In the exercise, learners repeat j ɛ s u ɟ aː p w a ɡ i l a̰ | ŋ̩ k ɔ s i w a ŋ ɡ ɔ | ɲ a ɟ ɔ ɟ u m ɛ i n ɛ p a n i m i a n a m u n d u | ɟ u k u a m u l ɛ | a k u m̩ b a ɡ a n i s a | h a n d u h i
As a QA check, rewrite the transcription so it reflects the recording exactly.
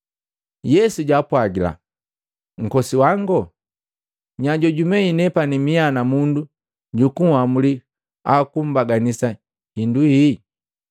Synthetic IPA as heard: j ɛ s u ɟ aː p w a ɡ i l a̰ | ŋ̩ k ɔ s i w a ŋ ɡ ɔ | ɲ a ɟ ɔ ɟ u m ɛ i n ɛ p a n i m i a n a m u n d u | ɟ u k u a m u l i | a k u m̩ b a ɡ a n i s a | h i n d u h i